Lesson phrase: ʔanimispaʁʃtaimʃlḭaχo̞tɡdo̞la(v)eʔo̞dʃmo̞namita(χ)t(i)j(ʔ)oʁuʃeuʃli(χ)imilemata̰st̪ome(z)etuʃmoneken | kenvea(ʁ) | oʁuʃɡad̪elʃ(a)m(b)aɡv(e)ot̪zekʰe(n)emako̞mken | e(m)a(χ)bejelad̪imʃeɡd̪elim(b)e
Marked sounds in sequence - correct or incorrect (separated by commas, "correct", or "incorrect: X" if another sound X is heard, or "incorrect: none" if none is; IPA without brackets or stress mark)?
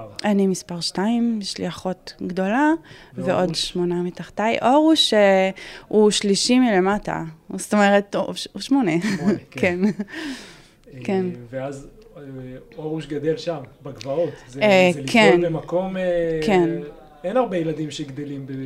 correct, correct, incorrect: a, correct, incorrect: ʃ, incorrect: ʁ, incorrect: z, correct, correct, incorrect: a, correct, incorrect: n, incorrect: ʁ, correct